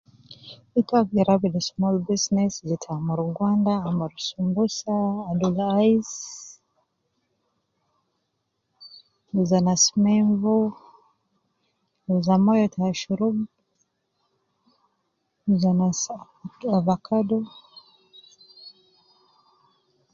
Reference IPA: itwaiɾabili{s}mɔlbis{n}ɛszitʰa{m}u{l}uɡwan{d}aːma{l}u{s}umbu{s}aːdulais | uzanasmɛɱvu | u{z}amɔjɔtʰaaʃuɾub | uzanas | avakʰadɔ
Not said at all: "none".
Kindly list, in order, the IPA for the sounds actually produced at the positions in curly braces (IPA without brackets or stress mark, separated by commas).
s, n, m, ɾ, d, ɾ, s, s, z